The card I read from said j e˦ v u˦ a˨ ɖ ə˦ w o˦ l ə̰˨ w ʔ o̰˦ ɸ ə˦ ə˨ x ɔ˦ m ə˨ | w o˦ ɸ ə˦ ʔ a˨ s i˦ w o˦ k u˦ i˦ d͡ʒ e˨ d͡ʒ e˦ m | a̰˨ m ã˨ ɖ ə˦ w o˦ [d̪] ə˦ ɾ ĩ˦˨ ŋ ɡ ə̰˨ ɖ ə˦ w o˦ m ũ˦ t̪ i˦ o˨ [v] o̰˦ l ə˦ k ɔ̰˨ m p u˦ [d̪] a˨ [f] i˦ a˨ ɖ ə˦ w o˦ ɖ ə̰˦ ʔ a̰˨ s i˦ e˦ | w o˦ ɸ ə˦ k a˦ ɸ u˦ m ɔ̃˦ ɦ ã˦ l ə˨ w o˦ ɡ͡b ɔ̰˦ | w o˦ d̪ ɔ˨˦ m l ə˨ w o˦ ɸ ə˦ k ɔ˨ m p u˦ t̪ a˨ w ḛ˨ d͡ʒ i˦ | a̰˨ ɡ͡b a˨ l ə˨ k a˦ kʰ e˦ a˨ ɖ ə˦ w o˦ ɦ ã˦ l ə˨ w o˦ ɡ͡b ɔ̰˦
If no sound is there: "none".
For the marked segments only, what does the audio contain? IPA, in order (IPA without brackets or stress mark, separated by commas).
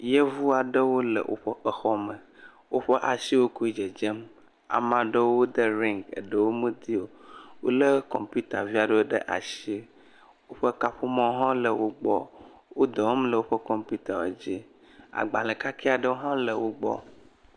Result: d̪, w, t̪, v